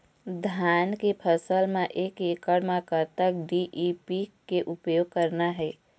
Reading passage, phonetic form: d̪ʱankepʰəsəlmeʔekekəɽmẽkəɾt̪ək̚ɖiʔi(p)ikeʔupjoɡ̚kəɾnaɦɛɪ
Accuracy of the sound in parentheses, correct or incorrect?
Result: correct